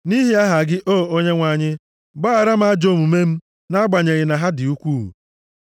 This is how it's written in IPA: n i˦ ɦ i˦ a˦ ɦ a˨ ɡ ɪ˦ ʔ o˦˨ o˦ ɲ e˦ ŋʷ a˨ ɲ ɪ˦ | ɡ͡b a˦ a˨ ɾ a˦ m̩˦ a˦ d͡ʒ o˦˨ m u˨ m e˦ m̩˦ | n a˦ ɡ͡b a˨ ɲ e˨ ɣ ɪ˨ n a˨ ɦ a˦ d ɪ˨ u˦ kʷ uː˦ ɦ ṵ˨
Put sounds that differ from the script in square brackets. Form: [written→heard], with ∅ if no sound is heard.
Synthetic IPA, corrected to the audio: n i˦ ɦ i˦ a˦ ɦ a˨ ɡ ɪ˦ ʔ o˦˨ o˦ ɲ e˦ ŋʷ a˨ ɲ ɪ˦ | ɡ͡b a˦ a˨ ɾ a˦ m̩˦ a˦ d͡ʒ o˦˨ m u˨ m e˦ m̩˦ | n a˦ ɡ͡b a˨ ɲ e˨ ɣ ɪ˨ n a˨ ɦ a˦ d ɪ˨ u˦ kʷ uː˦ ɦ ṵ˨